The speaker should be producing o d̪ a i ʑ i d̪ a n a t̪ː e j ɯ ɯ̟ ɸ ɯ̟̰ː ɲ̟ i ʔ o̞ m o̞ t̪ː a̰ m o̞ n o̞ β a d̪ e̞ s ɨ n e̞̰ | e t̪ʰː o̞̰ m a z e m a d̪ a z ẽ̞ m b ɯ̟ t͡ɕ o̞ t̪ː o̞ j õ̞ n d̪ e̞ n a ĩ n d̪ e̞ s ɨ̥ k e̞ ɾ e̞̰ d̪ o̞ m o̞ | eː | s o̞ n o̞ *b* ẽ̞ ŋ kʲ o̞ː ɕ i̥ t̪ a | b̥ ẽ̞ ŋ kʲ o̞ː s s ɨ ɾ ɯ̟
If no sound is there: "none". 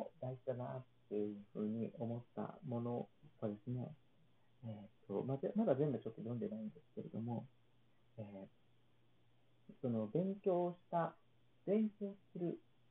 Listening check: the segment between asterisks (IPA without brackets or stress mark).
b